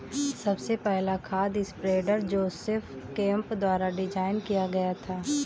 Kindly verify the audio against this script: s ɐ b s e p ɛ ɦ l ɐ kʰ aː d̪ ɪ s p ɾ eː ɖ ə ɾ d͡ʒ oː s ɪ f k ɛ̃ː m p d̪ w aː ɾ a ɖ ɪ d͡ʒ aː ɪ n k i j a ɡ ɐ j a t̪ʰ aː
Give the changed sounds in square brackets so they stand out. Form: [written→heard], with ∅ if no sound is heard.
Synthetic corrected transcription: s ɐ b s e p ɛ ɦ l [ɐ→a] kʰ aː d̪ ɪ s p ɾ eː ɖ ə ɾ d͡ʒ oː s ɪ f k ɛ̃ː m p d̪ w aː ɾ a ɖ ɪ d͡ʒ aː ɪ n k i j a ɡ ɐ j a t̪ʰ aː